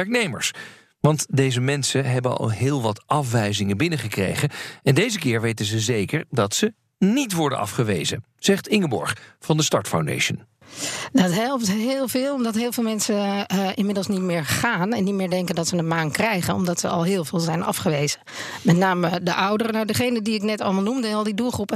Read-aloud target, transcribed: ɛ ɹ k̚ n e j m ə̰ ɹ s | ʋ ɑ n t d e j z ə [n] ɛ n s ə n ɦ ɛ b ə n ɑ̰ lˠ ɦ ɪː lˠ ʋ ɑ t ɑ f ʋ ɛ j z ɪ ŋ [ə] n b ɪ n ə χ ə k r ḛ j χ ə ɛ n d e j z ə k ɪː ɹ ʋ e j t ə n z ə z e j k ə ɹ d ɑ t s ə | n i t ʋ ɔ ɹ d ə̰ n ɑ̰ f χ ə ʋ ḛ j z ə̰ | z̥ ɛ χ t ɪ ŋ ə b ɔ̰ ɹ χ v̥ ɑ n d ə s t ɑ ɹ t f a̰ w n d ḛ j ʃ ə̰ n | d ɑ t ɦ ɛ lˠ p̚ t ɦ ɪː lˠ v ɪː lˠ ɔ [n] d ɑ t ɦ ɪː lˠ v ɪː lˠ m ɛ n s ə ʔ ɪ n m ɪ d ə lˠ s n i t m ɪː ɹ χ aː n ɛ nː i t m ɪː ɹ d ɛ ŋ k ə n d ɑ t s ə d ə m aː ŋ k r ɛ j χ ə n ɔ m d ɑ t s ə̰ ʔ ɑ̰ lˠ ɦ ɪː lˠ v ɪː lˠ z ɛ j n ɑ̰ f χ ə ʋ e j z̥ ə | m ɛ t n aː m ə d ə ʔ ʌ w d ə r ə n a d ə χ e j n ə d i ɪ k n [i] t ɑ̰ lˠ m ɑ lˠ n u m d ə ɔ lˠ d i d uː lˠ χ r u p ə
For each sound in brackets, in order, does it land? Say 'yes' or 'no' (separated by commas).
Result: no, yes, no, no